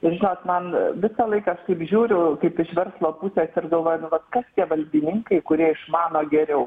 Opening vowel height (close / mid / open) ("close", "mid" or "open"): close